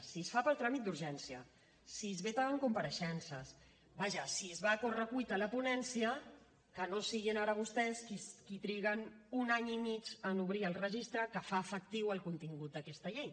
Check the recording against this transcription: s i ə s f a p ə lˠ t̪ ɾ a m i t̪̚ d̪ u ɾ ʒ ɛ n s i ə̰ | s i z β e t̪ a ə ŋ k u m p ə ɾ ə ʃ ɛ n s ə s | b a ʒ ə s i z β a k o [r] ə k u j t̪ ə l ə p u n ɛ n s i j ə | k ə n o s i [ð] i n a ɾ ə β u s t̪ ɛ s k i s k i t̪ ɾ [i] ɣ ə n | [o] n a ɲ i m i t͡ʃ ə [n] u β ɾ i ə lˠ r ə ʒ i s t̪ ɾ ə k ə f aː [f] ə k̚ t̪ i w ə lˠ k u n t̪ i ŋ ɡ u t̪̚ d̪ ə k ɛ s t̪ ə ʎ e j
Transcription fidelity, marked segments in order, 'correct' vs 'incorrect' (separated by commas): correct, incorrect, correct, incorrect, correct, correct